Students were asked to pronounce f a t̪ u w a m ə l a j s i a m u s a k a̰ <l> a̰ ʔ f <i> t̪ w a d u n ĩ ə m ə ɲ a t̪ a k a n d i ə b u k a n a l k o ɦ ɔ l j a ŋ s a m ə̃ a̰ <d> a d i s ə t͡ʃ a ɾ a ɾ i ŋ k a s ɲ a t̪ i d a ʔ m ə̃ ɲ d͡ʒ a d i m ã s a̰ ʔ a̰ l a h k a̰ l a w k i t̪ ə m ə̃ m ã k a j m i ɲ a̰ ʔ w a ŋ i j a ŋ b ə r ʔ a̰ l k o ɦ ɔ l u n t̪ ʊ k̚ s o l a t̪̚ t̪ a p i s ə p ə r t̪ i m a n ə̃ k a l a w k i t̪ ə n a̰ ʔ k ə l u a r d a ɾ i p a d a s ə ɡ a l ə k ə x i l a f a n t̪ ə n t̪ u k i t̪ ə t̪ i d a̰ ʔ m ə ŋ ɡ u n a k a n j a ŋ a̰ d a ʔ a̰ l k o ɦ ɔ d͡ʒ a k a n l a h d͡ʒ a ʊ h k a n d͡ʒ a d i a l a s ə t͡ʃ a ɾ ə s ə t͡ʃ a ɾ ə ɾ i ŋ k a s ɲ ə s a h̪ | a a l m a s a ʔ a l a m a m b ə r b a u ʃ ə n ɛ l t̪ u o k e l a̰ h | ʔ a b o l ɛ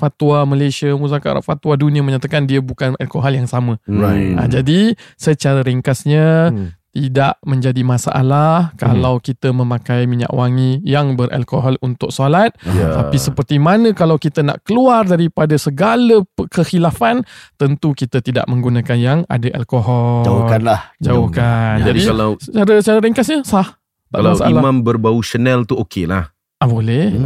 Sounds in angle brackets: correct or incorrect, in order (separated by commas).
incorrect, incorrect, incorrect